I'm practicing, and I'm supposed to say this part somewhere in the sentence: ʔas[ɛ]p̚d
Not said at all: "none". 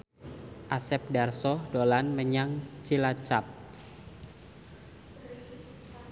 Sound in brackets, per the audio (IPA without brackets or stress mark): ɛ